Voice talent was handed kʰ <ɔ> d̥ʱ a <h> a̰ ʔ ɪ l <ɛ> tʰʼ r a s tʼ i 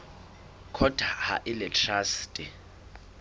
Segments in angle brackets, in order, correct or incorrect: correct, correct, correct

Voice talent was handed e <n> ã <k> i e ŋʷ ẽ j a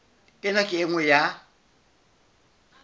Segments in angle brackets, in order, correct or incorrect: correct, correct

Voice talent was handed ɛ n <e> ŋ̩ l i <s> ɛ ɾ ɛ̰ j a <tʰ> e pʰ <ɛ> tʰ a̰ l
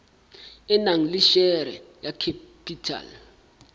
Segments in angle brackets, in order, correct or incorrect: incorrect, incorrect, incorrect, incorrect

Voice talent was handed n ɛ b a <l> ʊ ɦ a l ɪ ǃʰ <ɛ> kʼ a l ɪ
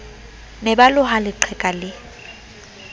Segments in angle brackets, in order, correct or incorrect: correct, correct

